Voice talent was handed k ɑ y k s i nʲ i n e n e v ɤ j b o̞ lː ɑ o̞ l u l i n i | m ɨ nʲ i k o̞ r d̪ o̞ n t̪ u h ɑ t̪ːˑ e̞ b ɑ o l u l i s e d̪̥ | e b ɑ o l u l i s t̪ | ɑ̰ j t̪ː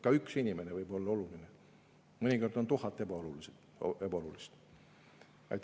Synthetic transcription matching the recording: k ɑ y k s i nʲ i m e n e v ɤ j b o̞ lː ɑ o̞ l u l i n e | m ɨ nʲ i k o̞ r d̪ o̞ n t̪ u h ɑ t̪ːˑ e̞ b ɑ o l u l i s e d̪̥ | e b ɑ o l u l i s t̪ | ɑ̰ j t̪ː